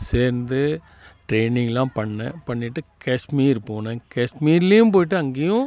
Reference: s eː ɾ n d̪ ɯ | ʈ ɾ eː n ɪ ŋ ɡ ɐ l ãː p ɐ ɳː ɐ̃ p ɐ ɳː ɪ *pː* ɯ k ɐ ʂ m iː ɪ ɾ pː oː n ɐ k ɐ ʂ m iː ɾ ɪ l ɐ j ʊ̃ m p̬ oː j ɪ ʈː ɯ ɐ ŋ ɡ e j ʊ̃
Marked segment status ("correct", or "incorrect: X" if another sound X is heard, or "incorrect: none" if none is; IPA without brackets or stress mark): incorrect: ʈː